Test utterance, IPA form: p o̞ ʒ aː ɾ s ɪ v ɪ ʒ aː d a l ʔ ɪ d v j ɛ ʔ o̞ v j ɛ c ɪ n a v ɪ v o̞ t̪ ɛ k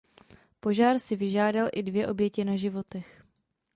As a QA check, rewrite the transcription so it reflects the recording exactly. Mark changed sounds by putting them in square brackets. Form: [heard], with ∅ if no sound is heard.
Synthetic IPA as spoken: p o̞ ʒ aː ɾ s ɪ v ɪ ʒ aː d a l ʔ ɪ d v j ɛ ʔ o̞ [b] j ɛ c ɪ n a [ʒ] ɪ v o̞ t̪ ɛ [x]